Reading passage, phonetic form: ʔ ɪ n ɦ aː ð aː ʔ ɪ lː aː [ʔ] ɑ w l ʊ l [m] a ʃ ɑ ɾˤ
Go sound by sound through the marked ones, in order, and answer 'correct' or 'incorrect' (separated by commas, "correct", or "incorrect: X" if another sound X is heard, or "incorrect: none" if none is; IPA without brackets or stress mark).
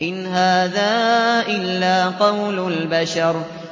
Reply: incorrect: q, incorrect: b